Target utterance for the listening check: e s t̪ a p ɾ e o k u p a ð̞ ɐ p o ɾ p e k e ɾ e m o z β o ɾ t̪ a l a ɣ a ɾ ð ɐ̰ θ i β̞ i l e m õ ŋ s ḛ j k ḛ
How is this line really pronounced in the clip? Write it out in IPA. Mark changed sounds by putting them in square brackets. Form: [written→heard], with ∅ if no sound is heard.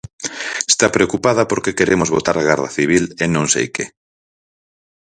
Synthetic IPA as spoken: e s t̪ a p ɾ e o k u p a ð̞ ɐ p o ɾ [p→k] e k e ɾ e m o z β o [ɾ→∅] t̪ a [l→ɾ] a ɣ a ɾ ð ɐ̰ θ i β̞ i l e [m→n] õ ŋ s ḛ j k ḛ